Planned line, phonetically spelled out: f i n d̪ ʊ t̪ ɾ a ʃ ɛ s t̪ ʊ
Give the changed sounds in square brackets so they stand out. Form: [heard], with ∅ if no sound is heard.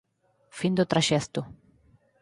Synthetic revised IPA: f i n d̪ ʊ t̪ ɾ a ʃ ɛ s t̪ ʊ